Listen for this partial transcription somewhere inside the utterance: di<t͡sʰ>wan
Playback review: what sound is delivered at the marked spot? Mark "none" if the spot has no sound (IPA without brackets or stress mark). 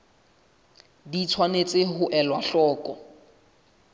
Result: t͡sʰ